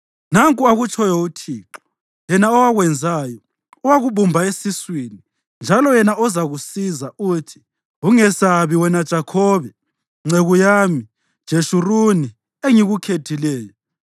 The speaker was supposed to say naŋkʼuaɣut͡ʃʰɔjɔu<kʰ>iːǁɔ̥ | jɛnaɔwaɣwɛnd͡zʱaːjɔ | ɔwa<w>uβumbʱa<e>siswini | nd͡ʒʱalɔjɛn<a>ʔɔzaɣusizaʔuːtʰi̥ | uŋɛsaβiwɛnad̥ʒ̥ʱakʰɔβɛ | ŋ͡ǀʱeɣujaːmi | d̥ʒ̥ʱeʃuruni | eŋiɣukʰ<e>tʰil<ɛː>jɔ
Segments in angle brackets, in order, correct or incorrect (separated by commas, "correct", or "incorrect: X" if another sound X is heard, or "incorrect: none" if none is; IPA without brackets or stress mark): incorrect: tʰ, incorrect: ɣ, correct, correct, correct, correct